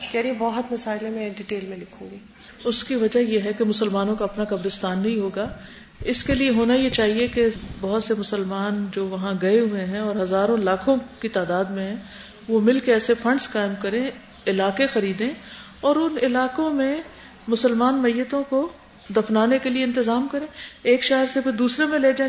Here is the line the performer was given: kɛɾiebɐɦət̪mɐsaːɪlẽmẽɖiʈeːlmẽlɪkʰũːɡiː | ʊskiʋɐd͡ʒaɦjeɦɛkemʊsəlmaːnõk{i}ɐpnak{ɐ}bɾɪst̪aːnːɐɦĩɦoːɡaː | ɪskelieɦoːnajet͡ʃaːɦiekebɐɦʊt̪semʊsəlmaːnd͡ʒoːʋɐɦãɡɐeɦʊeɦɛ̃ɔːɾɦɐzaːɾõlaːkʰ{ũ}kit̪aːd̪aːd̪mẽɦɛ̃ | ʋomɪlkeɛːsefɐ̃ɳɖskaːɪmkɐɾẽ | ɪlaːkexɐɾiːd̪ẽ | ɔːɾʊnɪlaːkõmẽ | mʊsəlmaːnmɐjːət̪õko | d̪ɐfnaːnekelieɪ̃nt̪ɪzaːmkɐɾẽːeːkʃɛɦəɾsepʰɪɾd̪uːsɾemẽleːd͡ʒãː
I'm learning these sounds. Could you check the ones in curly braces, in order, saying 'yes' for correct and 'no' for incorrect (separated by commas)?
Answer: no, yes, no